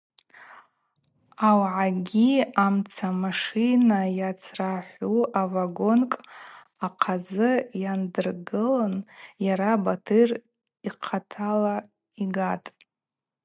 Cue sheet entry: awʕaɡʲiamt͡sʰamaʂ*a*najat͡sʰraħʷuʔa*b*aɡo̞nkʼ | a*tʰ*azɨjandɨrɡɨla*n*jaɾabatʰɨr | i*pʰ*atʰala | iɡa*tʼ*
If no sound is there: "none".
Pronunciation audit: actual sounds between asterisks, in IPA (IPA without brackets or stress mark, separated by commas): i, v, qʰ, n, qʰ, tʼ